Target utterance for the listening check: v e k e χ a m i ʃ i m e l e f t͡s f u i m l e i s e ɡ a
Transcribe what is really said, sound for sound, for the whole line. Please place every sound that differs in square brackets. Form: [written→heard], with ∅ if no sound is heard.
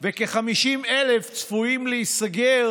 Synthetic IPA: v e k e χ a m i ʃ i m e l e f t͡s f u i m l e i s [e→a] ɡ [a→e]